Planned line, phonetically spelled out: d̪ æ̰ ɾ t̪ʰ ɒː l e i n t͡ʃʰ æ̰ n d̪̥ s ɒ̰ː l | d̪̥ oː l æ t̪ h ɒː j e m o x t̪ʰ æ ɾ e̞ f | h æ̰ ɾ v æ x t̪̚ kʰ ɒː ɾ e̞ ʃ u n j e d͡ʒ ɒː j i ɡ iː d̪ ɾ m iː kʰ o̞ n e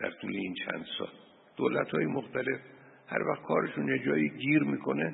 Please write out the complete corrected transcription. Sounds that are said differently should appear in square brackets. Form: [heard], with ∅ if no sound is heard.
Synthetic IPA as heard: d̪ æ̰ ɾ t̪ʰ [uː] l e i n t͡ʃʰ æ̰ n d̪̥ s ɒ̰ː l | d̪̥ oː l æ t̪ h ɒː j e m o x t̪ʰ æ [l] e̞ f | h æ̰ ɾ v æ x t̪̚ kʰ ɒː ɾ e̞ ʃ u n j e d͡ʒ ɒː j i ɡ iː [∅] ɾ m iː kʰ o̞ n e